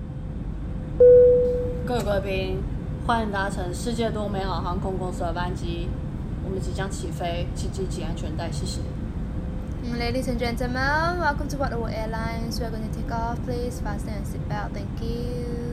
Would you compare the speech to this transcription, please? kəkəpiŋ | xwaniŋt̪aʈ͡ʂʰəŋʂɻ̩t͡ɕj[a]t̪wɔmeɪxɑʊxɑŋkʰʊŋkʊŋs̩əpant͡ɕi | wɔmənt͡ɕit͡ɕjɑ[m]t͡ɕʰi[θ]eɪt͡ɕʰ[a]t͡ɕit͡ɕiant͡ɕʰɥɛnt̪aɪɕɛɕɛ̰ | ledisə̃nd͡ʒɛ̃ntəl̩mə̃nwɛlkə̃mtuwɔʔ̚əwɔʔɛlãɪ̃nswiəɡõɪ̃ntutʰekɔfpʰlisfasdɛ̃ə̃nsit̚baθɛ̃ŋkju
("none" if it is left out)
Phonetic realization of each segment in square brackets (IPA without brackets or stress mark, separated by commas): ɛ, ŋ, f, i